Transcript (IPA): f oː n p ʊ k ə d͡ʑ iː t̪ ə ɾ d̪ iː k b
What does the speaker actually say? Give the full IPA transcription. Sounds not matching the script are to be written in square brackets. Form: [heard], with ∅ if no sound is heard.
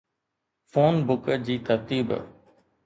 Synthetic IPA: f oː n [b] ʊ k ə d͡ʑ iː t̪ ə ɾ [t̪] iː [∅] b